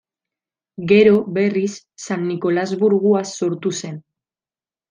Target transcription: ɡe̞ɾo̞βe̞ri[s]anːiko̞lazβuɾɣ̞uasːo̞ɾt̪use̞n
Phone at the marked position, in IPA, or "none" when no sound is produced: sː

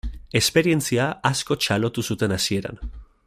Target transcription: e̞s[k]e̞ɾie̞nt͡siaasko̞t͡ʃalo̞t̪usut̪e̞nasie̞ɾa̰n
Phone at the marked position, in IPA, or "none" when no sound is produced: p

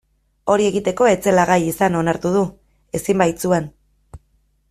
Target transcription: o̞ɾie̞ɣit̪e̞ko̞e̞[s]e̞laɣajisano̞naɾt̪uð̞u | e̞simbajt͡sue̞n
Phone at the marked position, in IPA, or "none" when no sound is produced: t͡s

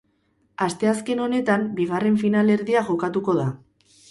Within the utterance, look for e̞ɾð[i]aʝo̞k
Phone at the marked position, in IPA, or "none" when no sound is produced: i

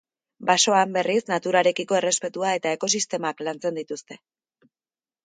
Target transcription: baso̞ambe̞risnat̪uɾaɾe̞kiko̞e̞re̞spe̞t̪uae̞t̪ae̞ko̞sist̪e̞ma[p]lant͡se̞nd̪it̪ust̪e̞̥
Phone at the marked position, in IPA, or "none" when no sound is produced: k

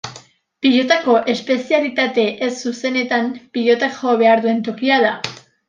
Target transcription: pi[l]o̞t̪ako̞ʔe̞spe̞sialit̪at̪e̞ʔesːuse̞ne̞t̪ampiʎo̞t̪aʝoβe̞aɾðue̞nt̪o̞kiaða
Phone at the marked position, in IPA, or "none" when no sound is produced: ʎ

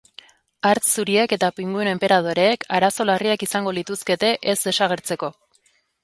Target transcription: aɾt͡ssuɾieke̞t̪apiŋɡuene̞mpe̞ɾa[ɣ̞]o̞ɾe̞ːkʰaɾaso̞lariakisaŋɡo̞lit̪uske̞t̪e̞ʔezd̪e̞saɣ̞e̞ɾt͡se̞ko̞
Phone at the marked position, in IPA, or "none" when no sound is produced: ð̞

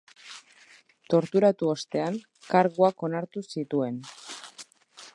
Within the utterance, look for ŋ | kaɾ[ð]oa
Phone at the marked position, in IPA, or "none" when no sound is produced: ɣ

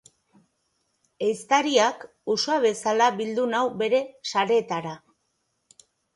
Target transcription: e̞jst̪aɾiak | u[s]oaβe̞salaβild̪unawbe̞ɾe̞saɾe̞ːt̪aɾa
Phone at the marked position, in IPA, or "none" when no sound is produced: s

